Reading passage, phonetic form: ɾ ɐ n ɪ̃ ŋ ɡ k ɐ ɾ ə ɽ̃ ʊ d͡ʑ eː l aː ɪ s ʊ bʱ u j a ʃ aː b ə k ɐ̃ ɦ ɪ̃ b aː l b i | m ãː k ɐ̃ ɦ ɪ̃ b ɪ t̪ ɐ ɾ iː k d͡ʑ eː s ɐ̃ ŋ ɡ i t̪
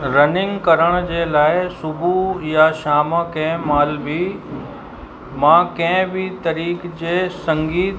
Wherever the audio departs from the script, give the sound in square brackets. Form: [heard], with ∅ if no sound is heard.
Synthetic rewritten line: ɾ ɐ n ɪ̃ ŋ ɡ k ɐ ɾ ə ɽ̃ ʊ d͡ʑ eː l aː ɪ s ʊ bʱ u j a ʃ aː [m] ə k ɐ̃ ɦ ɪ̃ [m] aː l b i | m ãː k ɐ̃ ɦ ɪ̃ b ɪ t̪ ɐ ɾ iː k d͡ʑ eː s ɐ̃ ŋ ɡ [iː] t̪